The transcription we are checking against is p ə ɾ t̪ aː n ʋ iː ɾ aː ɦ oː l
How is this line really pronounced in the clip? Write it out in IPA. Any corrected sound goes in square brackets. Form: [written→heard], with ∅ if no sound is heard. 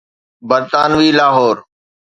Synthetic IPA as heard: [p→b] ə ɾ t̪ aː n ʋ iː [ɾ→l] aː ɦ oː [l→ɾ]